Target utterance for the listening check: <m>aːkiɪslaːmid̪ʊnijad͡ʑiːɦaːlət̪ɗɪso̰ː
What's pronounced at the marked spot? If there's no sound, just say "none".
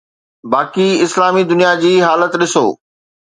b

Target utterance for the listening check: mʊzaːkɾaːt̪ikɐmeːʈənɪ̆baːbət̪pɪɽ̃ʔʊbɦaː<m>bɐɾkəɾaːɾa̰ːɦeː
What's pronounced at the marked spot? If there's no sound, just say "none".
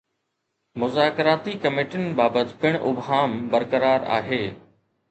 m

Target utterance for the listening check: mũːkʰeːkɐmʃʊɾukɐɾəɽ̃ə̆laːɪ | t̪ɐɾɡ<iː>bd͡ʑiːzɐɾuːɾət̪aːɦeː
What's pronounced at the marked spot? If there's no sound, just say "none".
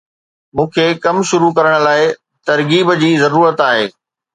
iː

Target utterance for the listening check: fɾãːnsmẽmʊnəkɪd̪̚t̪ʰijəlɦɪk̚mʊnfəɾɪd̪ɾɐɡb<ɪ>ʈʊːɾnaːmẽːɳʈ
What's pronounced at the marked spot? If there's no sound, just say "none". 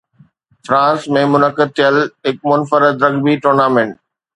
i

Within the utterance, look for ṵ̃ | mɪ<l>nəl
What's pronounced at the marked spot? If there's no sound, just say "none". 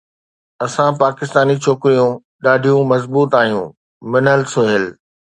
none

